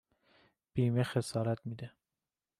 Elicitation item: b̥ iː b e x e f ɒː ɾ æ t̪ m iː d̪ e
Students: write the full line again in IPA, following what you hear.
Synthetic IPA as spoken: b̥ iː m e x e s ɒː ɾ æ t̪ m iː d̪ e